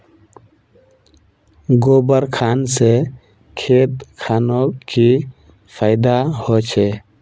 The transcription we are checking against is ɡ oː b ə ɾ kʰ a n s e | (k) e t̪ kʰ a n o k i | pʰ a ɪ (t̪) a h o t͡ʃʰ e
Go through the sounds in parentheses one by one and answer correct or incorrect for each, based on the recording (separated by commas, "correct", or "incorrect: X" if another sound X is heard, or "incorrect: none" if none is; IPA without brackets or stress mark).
incorrect: kʰ, incorrect: d̪